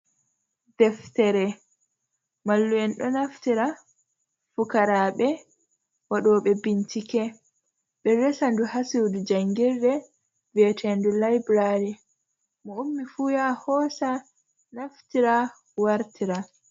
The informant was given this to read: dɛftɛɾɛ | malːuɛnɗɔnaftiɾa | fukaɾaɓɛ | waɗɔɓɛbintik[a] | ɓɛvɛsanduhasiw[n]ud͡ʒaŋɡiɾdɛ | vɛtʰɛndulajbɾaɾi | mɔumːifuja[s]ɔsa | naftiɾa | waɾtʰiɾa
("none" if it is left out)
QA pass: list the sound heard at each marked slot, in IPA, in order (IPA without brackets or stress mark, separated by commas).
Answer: ɛ, d, h